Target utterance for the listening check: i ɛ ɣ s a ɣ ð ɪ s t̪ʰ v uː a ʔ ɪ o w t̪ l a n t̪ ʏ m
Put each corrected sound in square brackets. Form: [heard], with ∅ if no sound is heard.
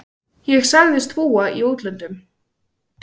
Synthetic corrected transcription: [j] ɛ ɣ s a ɣ ð ɪ s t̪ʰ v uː a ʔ [i] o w t̪ l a n t̪ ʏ m